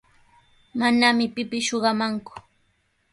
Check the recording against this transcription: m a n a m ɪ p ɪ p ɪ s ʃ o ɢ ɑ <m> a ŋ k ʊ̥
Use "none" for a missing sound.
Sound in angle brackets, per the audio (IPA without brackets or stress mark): m